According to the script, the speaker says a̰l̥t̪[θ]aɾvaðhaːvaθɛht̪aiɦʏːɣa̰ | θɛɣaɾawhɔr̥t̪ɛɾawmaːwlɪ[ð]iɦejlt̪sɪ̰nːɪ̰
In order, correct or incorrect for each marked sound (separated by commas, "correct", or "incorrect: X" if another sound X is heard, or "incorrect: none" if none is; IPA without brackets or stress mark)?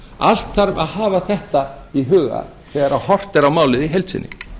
correct, correct